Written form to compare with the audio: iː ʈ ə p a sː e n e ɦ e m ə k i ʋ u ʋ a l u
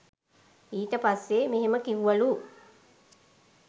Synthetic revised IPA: iː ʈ ə p a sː e m e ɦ e m ə k i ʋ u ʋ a l u